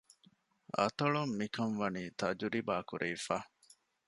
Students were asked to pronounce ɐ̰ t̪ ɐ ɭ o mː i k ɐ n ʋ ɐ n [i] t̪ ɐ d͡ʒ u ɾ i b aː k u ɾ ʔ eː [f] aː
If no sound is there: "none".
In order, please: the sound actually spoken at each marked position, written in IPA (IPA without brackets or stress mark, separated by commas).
iː, f